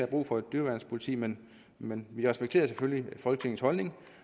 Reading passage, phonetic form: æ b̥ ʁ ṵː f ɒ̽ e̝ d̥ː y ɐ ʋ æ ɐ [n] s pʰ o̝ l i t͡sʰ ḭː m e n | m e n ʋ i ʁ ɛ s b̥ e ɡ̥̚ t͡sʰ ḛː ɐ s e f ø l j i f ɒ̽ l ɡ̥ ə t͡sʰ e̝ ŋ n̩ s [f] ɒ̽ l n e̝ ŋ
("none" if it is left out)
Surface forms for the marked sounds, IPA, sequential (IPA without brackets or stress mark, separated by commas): n, h